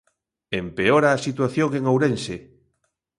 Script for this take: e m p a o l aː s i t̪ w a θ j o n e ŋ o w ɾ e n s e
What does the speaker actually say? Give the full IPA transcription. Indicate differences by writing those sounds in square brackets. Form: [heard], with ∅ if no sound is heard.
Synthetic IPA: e m p [e] o [ɾ] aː s i t̪ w a θ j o [ŋ] e ŋ o w ɾ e n s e